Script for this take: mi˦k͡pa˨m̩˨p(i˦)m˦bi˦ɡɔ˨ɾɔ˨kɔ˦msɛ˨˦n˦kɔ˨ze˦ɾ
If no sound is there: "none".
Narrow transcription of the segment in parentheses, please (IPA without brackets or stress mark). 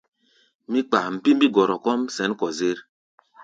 i˦